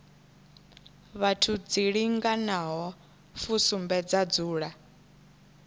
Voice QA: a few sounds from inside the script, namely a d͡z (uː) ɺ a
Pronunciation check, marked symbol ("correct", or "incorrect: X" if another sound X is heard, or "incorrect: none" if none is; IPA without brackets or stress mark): correct